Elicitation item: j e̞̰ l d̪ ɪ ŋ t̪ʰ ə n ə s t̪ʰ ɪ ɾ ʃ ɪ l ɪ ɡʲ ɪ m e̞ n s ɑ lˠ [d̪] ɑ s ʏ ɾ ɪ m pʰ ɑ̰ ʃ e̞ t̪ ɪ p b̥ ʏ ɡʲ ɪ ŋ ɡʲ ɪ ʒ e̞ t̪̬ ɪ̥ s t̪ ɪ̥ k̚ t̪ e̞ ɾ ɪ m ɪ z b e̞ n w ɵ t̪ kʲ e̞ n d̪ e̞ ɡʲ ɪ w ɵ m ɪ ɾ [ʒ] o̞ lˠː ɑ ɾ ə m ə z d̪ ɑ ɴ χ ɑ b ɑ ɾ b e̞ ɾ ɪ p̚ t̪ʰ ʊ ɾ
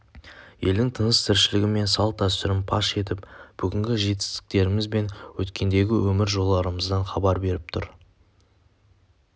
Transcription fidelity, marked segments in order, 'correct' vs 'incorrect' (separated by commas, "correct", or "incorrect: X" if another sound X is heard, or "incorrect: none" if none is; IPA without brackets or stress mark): incorrect: t̪, correct